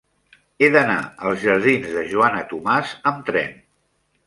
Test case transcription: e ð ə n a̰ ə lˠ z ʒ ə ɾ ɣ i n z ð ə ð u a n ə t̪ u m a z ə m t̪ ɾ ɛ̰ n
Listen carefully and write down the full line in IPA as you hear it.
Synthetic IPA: e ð ə n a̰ ə lˠ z ʒ ə ɾ ð i n z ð ə ʒ u a n ə t̪ u m a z ə m t̪ ɾ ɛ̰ n